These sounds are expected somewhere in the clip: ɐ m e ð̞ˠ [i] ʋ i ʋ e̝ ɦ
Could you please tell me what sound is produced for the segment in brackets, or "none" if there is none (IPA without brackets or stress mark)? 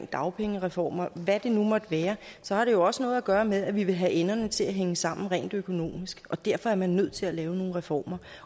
æ